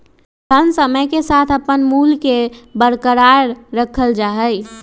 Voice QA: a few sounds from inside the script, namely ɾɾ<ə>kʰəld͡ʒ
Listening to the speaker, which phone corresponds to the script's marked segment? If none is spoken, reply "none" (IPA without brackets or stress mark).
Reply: ə